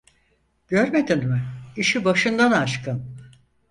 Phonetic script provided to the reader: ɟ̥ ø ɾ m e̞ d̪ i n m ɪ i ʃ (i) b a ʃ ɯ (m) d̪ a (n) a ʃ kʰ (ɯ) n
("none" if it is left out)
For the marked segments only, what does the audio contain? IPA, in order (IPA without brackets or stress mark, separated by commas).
i, n, n, ɯ